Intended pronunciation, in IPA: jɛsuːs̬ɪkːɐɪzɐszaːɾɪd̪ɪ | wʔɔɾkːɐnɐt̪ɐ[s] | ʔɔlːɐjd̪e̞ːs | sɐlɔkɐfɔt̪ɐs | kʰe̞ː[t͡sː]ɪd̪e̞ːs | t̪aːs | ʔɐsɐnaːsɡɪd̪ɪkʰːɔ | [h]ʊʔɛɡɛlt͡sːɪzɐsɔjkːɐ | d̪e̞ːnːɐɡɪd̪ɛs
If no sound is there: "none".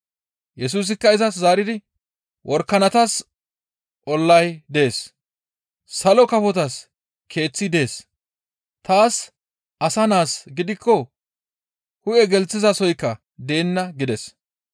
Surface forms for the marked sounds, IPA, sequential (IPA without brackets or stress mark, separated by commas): s, t͡sː, h